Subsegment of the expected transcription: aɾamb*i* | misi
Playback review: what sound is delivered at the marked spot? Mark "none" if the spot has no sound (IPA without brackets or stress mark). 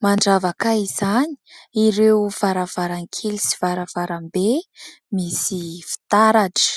e